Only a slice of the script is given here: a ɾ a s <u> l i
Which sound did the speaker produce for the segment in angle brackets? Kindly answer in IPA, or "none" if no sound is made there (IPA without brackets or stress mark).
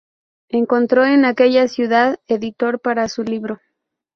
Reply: u